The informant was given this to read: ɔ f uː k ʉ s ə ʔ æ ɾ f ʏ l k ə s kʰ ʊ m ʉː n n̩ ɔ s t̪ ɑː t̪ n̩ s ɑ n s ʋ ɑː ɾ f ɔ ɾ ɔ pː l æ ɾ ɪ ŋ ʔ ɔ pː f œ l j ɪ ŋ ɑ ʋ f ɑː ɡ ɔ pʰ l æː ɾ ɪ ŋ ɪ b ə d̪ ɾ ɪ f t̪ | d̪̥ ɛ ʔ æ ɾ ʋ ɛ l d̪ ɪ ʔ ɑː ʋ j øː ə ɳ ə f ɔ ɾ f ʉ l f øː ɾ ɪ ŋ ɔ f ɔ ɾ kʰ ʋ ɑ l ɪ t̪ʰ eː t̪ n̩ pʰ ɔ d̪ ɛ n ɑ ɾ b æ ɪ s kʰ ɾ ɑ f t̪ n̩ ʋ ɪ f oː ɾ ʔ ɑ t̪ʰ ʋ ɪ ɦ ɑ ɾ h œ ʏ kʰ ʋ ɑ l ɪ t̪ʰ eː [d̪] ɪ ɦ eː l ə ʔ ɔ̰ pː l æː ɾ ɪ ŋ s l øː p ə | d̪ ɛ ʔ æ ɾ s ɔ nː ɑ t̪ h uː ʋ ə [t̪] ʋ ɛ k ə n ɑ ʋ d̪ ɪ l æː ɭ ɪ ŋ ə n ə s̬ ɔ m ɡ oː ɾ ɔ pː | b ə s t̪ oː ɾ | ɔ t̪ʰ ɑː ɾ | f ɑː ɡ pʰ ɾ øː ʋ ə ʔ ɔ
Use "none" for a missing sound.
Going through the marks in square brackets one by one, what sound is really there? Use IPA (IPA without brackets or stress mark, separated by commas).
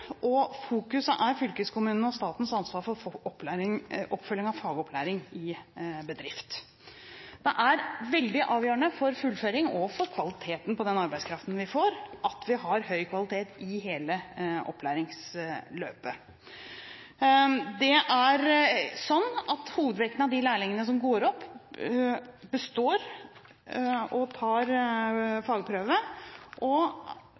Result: t̪, d̪